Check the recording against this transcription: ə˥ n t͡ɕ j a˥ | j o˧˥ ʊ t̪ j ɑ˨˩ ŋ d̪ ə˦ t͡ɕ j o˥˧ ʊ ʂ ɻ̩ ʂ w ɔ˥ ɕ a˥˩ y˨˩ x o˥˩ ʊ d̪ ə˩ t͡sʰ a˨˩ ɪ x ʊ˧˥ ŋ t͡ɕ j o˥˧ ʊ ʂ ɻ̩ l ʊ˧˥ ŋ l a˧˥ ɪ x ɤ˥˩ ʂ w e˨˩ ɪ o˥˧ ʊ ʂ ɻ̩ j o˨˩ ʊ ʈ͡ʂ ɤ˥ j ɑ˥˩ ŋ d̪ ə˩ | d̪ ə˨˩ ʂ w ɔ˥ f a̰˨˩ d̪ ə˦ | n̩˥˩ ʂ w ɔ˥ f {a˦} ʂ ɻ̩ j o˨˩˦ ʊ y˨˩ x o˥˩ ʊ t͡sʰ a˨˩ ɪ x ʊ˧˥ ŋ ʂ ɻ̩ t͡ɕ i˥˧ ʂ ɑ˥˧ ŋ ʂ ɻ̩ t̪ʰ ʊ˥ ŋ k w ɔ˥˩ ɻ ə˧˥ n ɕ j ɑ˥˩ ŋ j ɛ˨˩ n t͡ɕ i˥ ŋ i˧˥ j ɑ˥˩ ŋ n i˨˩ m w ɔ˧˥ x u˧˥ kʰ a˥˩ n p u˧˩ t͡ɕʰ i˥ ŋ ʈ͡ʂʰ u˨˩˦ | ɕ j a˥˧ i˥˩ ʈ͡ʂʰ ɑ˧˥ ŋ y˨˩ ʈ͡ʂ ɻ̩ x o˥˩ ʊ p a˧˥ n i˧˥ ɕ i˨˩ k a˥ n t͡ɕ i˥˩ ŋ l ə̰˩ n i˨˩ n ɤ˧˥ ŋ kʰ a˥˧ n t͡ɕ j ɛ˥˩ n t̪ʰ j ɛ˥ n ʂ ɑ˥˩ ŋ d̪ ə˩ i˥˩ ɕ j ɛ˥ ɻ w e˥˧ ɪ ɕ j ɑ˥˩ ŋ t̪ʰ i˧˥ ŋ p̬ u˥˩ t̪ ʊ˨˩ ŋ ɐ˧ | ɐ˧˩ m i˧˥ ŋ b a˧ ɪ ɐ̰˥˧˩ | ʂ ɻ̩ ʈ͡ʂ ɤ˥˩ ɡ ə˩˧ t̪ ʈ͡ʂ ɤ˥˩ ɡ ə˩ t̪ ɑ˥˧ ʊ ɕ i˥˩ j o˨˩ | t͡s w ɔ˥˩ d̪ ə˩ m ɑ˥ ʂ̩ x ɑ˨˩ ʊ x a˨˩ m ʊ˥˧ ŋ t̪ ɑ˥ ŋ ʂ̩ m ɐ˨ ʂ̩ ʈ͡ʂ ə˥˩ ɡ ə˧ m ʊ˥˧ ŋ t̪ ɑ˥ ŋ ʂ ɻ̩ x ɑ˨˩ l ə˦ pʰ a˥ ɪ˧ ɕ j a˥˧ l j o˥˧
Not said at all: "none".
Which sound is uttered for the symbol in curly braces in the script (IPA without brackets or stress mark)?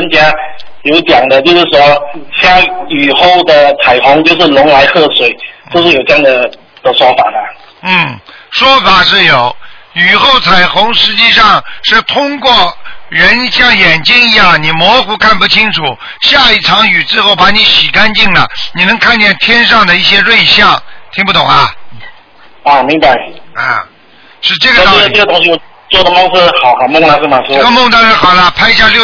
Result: a˨˩